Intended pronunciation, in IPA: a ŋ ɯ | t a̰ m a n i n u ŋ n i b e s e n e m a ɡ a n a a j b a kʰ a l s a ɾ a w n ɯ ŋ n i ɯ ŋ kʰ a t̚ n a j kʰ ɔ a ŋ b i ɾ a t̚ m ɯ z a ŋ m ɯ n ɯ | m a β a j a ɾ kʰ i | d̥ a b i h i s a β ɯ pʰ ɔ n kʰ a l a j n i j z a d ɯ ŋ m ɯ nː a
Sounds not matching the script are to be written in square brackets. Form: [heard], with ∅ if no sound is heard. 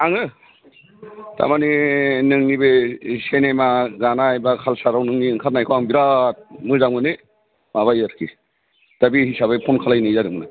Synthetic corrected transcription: a ŋ ɯ | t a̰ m a n i n [ɯ] ŋ n i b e s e n e m a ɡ a n a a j b a kʰ a l s a ɾ a w n ɯ ŋ n i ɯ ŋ kʰ a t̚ n a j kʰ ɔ a ŋ b i ɾ a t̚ m ɯ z a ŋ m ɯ n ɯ | m a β a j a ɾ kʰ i | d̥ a b i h i s a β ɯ pʰ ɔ n kʰ a l a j n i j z a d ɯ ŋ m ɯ [n] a